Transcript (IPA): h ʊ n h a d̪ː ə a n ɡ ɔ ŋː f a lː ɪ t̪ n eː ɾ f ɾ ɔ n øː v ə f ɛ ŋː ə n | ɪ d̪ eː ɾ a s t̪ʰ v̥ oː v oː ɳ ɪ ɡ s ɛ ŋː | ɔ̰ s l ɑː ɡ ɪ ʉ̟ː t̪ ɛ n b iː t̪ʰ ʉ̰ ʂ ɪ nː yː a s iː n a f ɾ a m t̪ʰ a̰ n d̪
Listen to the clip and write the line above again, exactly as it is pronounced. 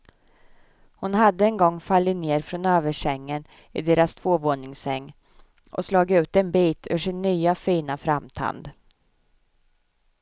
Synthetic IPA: h ʊ n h a d̪ː ə ɛ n ɡ ɔ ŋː f a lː ɪ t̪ n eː ɾ f ɾ ɔ n øː v ə ʂ ɛ ŋː ə n | ɪ d̪ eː ɾ a s t̪ʰ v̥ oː v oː ɳ ɪ ŋ s ɛ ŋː | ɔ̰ s l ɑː ɡ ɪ ʉ̟ː t̪ ɛ n b iː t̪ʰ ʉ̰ ʂ ɪ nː yː a f iː n a f ɾ a m t̪ʰ a̰ n d̪